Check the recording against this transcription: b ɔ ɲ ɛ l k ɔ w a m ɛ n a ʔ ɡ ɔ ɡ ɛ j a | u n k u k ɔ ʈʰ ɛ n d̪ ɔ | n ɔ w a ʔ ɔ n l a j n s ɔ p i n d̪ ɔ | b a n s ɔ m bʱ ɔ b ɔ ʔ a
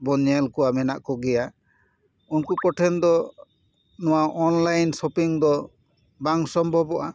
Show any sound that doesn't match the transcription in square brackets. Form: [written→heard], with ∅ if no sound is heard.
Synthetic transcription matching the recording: b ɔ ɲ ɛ l k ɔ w a m ɛ n a ʔ [ɡ→k] ɔ ɡ ɛ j a | u n k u k ɔ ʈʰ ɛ n d̪ ɔ | n ɔ w a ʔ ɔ n l a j n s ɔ p i [n→ŋ] d̪ ɔ | b a [n→ŋ] s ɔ m bʱ ɔ b ɔ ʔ a